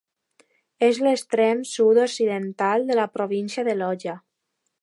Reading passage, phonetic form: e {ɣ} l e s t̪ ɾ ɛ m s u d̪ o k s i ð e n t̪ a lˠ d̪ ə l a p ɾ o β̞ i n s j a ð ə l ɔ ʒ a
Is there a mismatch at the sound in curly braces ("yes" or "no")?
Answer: yes